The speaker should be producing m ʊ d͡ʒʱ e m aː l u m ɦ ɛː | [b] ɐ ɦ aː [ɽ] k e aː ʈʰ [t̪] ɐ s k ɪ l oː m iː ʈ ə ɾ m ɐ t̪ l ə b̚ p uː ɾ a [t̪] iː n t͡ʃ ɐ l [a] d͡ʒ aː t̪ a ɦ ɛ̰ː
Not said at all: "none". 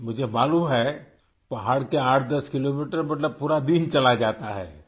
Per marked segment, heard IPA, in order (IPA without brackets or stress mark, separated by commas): p, ɽ, d̪, d̪, a